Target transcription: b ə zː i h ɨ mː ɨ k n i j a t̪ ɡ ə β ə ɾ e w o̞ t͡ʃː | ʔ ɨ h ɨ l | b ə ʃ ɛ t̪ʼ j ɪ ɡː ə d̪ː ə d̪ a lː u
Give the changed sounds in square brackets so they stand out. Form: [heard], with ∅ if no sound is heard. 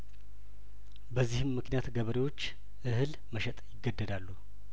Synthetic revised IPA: b ə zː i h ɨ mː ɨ k n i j a t̪ ɡ ə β ə ɾ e w o̞ t͡ʃː | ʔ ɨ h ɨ l | [m] ə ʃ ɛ t̪ʼ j ɪ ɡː ə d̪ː ə d̪ a lː u